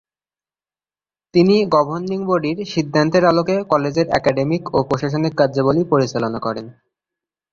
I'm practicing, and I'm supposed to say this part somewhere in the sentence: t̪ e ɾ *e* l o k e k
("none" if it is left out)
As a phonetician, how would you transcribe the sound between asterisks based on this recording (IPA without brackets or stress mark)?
a